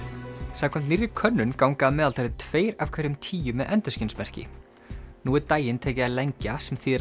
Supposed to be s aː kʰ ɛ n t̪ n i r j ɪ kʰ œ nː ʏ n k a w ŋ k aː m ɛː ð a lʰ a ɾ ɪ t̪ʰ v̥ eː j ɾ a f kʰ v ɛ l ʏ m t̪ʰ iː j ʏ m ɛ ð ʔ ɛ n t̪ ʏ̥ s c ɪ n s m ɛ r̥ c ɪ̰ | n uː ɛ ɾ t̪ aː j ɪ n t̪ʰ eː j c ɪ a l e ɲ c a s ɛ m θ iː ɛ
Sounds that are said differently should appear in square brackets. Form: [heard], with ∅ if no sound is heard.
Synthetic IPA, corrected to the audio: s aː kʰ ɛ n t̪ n i r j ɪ kʰ œ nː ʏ n k a w ŋ k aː m ɛː ð a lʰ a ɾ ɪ t̪ʰ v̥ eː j ɾ a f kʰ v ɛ [ɾ] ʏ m t̪ʰ iː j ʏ m ɛ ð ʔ ɛ n t̪ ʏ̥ s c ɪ n s m ɛ r̥ c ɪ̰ | n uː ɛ ɾ t̪ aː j ɪ n t̪ʰ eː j c ɪ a l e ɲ c a s ɛ m θ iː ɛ